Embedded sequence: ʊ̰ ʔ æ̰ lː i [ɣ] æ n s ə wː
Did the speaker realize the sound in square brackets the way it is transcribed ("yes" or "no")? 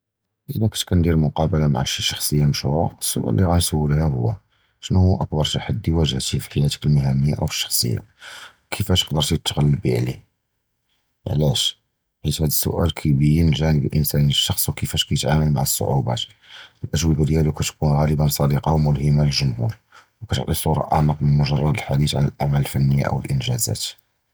yes